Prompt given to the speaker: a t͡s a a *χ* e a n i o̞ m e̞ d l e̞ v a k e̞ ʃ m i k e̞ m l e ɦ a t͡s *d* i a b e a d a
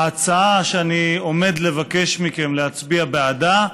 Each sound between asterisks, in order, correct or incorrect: incorrect: ʃ, incorrect: b

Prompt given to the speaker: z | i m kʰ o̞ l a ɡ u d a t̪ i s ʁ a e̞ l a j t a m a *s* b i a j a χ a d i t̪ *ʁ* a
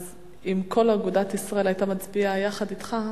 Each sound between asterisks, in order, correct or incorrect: incorrect: t͡s, incorrect: χ

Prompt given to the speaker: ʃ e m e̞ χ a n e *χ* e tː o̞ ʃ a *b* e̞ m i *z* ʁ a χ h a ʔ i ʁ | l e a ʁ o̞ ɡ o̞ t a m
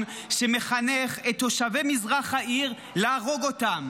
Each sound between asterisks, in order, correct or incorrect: correct, incorrect: v, correct

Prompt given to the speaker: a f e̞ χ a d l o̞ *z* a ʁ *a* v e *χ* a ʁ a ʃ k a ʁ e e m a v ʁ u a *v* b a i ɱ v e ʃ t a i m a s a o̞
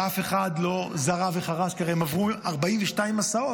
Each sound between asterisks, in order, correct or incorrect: correct, correct, correct, incorrect: ʁ

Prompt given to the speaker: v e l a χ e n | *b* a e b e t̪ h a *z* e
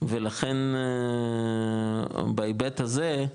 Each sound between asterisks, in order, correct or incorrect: correct, correct

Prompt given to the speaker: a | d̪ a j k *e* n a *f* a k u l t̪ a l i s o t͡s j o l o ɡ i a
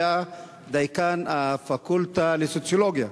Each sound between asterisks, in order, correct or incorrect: incorrect: a, correct

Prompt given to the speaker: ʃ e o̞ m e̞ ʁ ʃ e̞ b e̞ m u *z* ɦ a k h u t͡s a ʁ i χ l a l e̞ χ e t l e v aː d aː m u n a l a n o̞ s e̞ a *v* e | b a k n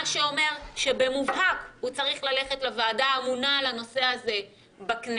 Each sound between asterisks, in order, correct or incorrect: incorrect: v, incorrect: z

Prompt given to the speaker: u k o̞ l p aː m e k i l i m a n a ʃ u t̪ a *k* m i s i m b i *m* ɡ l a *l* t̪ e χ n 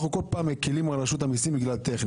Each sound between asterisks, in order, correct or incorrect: incorrect: none, incorrect: none, correct

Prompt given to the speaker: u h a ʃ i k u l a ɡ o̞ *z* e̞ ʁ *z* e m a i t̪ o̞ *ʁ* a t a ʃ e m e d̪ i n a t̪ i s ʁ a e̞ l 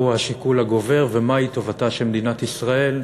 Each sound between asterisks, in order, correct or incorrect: incorrect: v, incorrect: v, incorrect: v

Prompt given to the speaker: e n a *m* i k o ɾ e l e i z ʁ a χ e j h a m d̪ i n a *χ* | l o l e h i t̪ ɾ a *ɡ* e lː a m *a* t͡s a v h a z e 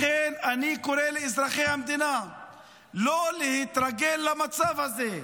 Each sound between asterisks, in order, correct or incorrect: incorrect: n, incorrect: none, correct, correct

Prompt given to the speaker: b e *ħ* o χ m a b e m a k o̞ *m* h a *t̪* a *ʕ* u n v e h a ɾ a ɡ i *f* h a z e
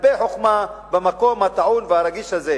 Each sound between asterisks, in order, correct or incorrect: correct, correct, correct, correct, incorrect: ʃ

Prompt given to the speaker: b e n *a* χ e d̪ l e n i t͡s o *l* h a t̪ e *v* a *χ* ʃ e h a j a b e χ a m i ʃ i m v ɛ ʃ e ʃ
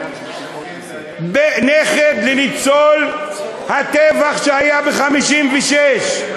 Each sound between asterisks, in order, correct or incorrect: incorrect: e, correct, correct, correct

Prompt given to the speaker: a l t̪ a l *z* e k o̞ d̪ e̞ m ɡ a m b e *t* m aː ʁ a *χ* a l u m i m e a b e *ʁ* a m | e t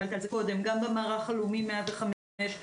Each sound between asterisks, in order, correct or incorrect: correct, incorrect: none, correct, incorrect: χ

